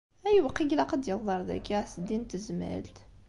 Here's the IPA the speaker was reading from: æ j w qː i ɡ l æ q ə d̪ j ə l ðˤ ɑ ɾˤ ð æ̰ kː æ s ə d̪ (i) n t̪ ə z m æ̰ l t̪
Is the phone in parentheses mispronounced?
no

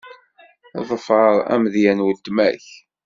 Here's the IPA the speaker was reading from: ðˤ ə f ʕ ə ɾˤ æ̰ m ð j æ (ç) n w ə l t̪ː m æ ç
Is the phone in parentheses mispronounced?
yes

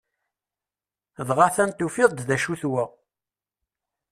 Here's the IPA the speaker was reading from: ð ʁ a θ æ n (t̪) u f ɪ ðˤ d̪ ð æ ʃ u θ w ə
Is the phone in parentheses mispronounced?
no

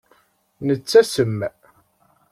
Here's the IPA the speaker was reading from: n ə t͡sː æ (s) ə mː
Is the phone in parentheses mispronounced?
no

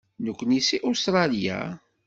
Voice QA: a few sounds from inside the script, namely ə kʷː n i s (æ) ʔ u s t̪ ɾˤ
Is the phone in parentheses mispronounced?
yes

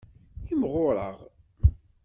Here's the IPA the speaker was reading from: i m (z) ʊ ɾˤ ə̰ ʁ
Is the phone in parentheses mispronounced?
yes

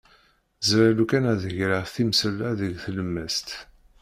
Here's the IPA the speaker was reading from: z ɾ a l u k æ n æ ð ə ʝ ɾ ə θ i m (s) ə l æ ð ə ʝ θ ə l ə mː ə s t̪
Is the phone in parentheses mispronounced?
no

